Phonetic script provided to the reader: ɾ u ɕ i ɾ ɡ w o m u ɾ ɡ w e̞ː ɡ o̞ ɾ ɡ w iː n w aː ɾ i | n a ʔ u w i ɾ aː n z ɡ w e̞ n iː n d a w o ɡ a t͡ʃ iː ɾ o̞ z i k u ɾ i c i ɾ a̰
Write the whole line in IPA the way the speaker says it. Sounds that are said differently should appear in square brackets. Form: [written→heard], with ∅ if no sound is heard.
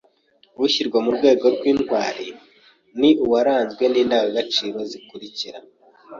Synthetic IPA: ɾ u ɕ i ɾ ɡ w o m u ɾ ɡ w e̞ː ɡ o̞ ɾ ɡ w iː n w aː ɾ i | n [a→i] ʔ u w [i→a] ɾ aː n z ɡ w e̞ n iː n d a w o ɡ a t͡ʃ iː ɾ o̞ z i k u ɾ i c i ɾ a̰